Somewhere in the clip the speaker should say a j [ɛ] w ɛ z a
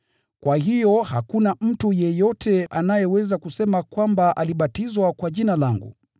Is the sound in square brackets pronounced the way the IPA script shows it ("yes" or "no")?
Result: yes